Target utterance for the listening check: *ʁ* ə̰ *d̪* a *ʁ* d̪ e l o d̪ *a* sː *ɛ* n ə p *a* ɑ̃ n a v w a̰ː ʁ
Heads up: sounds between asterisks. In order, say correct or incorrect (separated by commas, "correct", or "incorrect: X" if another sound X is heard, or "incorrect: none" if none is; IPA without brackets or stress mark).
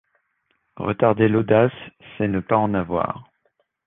correct, incorrect: t̪, correct, correct, correct, correct